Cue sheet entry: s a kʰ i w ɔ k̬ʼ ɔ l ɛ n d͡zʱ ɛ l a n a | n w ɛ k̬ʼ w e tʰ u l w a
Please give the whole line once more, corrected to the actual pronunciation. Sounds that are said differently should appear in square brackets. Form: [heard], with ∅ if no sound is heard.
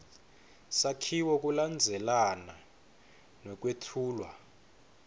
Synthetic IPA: s a kʰ i w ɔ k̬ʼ [u] l [a] n d͡zʱ ɛ l a n a | n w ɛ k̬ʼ w e tʰ [uː] l w a